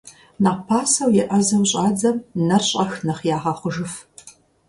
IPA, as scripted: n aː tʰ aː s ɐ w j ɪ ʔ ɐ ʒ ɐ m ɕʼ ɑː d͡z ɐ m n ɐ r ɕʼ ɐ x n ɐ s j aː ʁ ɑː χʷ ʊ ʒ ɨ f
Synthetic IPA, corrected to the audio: n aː pʰ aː s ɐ w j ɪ ʔ ɐ z ɐ m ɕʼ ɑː d͡z ɐ m n ɐ r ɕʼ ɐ x n ɐ χ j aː ʁ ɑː χʷ ʊ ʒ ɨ f